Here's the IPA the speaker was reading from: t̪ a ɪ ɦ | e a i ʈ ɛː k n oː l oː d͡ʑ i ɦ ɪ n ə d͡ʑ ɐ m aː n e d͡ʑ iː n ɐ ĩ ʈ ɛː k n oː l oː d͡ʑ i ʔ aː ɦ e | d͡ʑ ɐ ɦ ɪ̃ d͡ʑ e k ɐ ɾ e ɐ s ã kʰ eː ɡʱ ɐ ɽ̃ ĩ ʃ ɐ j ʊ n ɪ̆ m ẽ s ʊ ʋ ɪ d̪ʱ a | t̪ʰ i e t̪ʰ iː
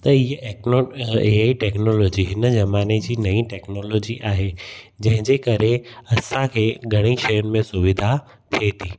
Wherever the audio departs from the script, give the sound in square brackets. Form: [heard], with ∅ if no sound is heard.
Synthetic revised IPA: t̪ [ɐ] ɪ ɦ | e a i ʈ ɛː k n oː l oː d͡ʑ i ɦ ɪ n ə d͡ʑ ɐ m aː n e d͡ʑ iː n ɐ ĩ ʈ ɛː k n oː l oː d͡ʑ i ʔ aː ɦ e | d͡ʑ [ɐ̃] ɦ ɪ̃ d͡ʑ e k ɐ ɾ e ɐ s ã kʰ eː ɡʱ ɐ ɽ̃ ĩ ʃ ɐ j ʊ n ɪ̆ m ẽ s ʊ ʋ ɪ d̪ʱ a | t̪ʰ i e t̪ʰ iː